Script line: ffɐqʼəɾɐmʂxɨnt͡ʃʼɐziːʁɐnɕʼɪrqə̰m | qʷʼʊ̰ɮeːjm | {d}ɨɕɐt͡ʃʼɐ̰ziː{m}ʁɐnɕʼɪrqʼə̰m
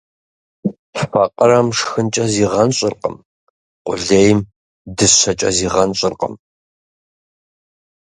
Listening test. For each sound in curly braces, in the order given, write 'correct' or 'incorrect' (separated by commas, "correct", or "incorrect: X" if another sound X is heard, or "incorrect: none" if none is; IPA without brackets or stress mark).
correct, incorrect: none